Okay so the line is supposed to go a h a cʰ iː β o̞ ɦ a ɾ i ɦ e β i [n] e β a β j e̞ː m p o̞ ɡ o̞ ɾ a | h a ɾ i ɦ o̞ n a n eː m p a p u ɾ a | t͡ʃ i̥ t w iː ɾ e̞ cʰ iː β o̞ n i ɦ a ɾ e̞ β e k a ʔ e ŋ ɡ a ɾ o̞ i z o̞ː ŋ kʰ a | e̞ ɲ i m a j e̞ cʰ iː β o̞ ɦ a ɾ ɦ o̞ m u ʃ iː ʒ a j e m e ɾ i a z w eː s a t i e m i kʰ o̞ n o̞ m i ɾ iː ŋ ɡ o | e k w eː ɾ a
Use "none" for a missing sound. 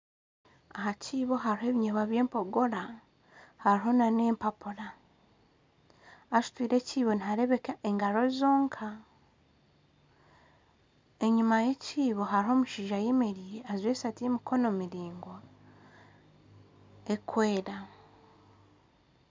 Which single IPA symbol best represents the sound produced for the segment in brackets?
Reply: ɲ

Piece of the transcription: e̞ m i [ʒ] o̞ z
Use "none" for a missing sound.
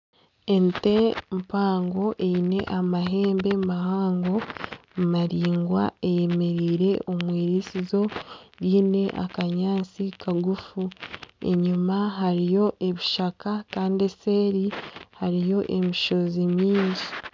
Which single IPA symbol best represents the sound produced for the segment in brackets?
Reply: ʃ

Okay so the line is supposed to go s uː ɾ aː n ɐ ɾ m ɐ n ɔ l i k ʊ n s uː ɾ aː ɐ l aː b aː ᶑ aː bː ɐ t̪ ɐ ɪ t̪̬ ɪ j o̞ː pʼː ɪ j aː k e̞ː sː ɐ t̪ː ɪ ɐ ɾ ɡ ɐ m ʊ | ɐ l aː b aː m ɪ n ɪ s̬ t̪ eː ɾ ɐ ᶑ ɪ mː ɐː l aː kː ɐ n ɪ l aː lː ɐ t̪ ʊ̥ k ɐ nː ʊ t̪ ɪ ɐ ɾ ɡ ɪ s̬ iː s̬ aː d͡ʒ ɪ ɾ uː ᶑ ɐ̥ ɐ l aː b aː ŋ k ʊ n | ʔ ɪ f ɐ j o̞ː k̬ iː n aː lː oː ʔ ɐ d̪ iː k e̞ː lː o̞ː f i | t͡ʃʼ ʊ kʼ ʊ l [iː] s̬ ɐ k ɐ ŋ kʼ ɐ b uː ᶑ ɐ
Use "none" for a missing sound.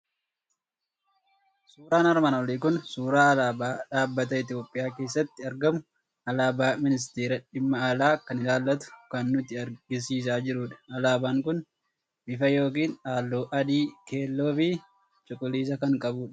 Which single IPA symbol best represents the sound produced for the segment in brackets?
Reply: iː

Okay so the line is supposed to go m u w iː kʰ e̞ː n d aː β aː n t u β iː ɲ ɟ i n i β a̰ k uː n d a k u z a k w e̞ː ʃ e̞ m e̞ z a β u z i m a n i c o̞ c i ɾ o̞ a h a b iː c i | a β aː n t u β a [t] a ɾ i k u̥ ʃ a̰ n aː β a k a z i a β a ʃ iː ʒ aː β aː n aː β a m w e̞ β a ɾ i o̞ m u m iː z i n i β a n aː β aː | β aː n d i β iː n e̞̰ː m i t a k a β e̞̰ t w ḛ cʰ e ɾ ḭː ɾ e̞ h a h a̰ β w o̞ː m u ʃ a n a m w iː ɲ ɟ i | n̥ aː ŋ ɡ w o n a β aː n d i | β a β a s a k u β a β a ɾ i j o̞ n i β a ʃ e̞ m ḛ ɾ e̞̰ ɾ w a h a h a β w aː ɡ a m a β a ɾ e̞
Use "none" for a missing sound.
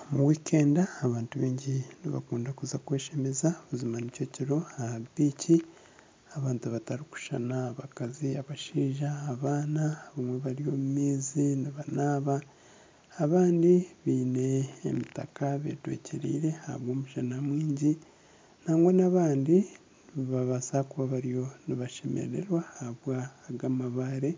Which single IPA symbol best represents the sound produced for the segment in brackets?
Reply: t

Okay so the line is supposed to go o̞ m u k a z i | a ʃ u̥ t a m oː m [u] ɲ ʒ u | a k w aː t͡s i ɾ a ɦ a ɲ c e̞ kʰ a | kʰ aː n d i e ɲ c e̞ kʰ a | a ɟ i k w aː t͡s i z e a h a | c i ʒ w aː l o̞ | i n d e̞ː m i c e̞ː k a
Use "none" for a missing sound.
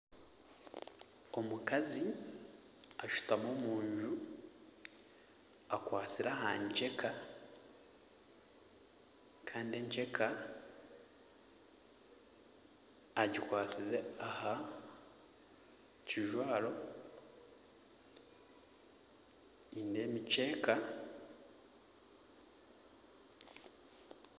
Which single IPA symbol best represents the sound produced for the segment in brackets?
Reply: uː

